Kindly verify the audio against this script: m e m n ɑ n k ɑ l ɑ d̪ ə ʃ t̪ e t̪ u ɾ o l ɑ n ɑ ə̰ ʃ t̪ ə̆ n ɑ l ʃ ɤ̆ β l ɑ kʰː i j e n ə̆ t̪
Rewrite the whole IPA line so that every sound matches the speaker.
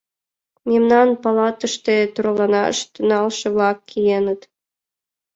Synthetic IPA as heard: m e m n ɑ n p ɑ l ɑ t̪ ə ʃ t̪ e t̪ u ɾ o l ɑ n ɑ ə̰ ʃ t̪ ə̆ n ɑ l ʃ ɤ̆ β l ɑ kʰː i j e n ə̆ t̪

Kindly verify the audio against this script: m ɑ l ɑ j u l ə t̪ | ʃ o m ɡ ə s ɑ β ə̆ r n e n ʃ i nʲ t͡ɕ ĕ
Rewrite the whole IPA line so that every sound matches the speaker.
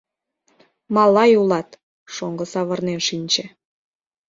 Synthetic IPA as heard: m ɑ l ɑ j u l ɑ t̪ | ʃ o ŋ ɡ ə s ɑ β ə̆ r n e n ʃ i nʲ t͡ɕ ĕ

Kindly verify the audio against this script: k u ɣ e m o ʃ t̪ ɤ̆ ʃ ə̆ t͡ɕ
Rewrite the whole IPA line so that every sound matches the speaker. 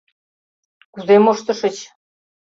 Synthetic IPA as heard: k u z e m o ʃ t̪ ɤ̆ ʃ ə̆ t͡ɕ

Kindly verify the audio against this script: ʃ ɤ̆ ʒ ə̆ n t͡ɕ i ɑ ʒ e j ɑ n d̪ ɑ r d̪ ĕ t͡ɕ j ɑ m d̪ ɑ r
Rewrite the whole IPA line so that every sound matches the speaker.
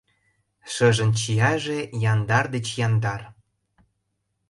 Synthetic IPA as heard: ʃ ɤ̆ ʒ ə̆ n t͡ɕ i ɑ ʒ e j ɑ n d̪ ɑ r d̪ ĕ t͡ɕ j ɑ n d̪ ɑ r

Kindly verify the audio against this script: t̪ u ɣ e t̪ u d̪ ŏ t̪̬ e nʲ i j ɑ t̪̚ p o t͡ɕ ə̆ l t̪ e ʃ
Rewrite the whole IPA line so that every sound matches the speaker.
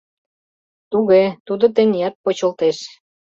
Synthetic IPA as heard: t̪ u ɣ e t̪ u d̪ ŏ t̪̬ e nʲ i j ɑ t̪̚ p o t͡ɕ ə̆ l t̪ e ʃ

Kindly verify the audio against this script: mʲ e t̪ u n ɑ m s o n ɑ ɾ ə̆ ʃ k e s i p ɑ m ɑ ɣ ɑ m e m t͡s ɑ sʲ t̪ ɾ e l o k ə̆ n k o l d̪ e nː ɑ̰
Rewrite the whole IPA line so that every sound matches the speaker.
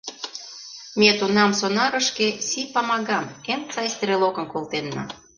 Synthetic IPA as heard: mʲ e t̪ u n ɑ m s o n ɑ ɾ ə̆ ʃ k e s i p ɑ m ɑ ɣ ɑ m e m t͡s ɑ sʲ t̪ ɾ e l o k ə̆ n k o l t̪ e nː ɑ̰

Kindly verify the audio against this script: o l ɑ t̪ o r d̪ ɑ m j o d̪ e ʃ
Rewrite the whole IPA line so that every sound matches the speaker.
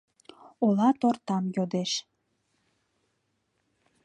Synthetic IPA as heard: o l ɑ t̪ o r t̪ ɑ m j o d̪ e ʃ

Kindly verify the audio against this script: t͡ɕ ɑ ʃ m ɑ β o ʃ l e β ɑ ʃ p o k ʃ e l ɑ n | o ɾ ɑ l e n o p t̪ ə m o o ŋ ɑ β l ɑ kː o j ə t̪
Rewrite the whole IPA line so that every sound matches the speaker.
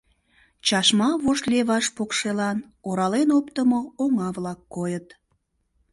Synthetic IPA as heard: t͡ɕ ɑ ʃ m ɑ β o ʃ l e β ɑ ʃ p o k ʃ e l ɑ n | o ɾ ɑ l e n o p t̪ ə m o o ŋ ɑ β l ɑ kː o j ə t̪

